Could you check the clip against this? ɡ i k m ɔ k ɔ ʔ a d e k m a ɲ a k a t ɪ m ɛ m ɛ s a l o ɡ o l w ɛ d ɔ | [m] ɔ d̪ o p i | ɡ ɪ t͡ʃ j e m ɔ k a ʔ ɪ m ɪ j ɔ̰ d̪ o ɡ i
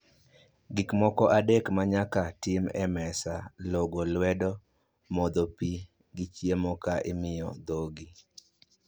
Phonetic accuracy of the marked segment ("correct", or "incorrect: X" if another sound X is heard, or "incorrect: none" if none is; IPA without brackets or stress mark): correct